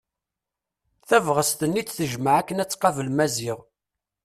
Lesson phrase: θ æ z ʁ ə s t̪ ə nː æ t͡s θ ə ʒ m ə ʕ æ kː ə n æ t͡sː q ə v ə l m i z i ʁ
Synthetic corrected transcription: θ æ v ʁ ə s t̪ ə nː i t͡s θ ə ʒ m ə ʕ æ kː ə n æ t͡sː q ɑ v ə l m æ z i ʁ